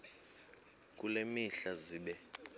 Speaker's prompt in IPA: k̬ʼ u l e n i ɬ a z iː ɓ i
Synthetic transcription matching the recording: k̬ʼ u l e m i ɬ a z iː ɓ ɛ